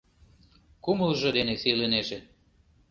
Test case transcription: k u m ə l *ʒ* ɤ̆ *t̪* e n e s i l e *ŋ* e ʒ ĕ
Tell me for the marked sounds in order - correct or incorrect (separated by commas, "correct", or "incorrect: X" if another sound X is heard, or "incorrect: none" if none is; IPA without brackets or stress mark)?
correct, incorrect: d̪, incorrect: n